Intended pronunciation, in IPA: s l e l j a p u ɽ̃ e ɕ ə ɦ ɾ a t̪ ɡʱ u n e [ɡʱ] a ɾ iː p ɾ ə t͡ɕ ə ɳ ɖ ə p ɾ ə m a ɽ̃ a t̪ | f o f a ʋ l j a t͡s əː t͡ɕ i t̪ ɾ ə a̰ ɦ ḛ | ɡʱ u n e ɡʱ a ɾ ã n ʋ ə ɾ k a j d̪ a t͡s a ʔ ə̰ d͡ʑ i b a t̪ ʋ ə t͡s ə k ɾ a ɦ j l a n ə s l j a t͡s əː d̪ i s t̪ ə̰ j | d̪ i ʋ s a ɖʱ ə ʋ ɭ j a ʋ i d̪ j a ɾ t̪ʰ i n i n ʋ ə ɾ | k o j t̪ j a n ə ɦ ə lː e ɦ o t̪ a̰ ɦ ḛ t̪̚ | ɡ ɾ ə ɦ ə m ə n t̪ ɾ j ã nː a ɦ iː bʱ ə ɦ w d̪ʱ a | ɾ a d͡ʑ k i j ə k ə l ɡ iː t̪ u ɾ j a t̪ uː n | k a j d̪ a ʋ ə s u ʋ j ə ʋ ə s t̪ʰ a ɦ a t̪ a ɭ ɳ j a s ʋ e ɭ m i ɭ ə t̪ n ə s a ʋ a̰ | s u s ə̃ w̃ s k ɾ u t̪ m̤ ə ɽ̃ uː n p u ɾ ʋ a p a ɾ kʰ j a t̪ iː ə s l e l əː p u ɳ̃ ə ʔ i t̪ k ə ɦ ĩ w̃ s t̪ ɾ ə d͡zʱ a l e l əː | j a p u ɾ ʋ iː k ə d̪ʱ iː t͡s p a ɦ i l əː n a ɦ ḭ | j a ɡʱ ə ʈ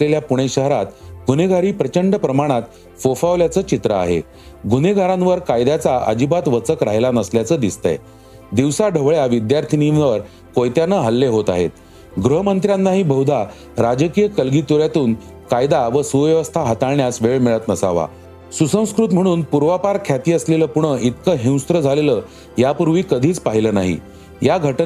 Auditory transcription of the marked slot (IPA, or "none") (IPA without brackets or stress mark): ɡʱ